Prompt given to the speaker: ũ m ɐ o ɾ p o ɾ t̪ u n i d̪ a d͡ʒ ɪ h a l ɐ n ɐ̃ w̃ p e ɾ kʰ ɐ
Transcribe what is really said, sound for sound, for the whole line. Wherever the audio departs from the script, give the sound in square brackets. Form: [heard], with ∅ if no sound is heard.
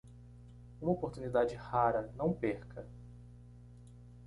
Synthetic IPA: ũ m ɐ o [∅] p o ɾ t̪ u n i d̪ a d͡ʒ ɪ h a [ɾ] ɐ n ɐ̃ w̃ p e ɾ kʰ ɐ